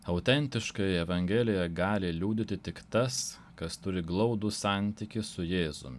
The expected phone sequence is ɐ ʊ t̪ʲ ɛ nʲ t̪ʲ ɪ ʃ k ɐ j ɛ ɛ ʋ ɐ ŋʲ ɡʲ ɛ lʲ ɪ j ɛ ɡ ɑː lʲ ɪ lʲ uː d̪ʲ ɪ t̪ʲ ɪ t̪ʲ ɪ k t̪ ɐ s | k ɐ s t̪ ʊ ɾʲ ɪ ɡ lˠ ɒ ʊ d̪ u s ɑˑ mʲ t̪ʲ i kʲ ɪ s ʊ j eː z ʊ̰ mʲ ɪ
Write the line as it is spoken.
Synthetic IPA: ɐ ʊ t̪ʲ ɛ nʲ t̪ʲ ɪ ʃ k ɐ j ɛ ɛ ʋ ɐ ŋʲ ɡʲ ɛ lʲ ɪ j ɛ ɡ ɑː lʲ ɪ lʲ uː d̪ʲ ɪ t̪ʲ ɪ t̪ʲ ɪ k t̪ ɐ s | k ɐ s t̪ ʊ ɾʲ ɪ ɡ lˠ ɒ ʊ d̪ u s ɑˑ nʲ t̪ʲ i kʲ ɪ s ʊ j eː z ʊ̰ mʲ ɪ